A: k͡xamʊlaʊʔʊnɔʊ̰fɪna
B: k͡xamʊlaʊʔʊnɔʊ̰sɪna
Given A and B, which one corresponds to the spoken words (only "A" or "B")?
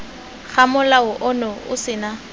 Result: B